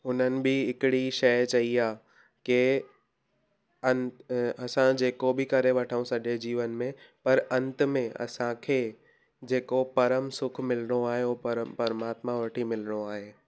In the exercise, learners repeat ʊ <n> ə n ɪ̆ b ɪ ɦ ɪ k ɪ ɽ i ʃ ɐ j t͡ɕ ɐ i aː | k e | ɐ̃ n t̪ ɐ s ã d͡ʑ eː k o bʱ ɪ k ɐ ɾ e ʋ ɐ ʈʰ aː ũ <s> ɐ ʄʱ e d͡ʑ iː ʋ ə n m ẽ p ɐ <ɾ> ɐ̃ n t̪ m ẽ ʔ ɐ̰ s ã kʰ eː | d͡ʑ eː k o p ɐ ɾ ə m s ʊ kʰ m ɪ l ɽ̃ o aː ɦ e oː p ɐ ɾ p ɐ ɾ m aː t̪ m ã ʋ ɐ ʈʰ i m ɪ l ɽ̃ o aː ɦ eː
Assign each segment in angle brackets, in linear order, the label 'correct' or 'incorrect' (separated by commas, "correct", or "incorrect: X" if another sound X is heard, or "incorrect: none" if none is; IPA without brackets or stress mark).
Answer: correct, correct, correct